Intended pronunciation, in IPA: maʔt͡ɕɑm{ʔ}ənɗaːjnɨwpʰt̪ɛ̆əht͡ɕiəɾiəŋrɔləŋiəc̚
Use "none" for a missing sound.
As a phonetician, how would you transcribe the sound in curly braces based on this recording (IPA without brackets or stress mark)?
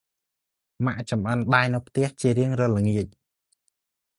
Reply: ʔ